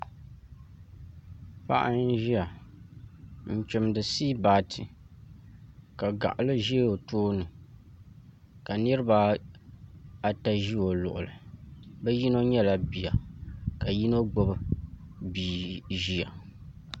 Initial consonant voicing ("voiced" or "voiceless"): voiceless